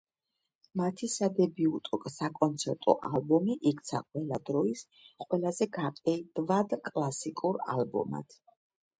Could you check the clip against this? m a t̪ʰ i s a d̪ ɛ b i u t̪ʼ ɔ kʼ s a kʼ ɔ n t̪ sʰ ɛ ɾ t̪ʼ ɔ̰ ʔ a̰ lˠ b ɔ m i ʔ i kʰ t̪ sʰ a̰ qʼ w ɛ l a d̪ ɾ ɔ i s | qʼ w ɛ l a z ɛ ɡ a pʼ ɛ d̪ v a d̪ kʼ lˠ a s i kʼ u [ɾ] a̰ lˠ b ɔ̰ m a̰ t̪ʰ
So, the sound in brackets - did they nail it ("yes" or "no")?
yes